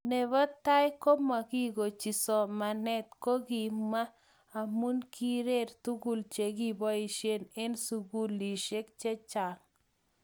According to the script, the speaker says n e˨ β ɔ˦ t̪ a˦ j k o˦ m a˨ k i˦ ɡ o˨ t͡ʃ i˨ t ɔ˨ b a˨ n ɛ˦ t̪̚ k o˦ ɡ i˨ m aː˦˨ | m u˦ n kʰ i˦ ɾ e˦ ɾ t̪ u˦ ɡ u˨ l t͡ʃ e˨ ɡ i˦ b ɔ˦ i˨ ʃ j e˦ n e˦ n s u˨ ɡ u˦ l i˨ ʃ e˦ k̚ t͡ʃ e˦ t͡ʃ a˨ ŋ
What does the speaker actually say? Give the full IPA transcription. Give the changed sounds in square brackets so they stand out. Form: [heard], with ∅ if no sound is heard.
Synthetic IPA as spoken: n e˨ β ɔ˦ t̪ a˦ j k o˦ m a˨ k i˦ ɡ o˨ t͡ʃ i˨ [s] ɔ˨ [m] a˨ n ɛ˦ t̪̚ k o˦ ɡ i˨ m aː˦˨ | m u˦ n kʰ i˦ ɾ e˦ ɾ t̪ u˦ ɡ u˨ l t͡ʃ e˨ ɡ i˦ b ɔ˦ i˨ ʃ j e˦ n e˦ n s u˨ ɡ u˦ l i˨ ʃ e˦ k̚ t͡ʃ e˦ t͡ʃ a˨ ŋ